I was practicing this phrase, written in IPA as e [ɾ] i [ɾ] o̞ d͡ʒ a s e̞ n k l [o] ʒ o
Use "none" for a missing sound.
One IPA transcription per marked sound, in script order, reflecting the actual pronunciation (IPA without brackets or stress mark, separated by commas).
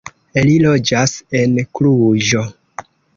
l, l, u